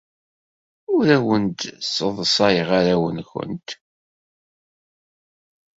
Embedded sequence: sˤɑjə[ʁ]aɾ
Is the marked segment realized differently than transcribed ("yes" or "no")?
no